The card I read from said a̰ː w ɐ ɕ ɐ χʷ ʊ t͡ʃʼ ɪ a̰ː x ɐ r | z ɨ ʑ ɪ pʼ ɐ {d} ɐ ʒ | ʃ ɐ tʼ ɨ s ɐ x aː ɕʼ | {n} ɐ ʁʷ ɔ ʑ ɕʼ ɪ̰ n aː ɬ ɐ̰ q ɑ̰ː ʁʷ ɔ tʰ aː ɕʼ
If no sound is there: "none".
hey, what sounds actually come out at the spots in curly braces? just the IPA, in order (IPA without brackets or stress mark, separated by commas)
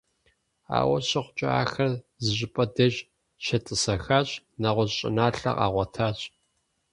d, n